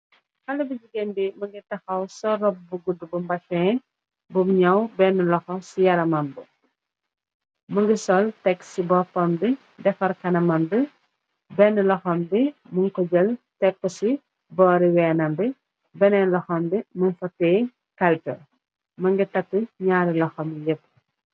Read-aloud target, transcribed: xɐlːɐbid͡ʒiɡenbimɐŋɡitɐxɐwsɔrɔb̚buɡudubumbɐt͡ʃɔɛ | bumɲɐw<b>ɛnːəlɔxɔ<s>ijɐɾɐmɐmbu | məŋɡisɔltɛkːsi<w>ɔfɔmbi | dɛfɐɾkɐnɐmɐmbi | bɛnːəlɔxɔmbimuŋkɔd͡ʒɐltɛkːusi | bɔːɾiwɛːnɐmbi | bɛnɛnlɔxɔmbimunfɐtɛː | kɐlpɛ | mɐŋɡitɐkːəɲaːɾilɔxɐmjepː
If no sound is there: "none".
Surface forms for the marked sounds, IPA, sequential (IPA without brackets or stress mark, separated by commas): b, s, b